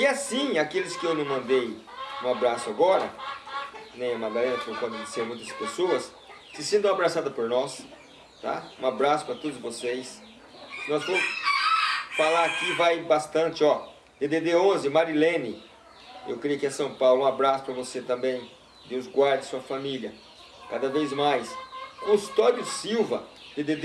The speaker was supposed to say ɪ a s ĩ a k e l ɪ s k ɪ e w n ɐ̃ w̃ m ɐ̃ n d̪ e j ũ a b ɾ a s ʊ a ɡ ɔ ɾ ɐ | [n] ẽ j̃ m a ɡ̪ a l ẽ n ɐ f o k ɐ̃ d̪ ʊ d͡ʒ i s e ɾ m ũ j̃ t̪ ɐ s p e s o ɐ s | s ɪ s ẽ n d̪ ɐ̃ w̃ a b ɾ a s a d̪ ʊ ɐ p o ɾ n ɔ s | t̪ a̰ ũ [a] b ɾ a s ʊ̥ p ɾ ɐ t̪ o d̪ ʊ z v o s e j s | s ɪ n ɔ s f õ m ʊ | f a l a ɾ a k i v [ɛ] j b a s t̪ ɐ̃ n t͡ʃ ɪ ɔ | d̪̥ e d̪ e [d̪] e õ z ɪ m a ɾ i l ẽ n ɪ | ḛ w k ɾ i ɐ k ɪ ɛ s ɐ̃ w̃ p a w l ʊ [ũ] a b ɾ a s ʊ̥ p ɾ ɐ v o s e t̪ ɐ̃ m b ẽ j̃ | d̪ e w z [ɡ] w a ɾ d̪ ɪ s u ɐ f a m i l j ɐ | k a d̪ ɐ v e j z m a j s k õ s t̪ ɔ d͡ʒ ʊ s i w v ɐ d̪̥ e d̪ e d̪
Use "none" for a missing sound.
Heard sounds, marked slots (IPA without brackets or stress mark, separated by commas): n, a, a, d̪, ũ, ɡ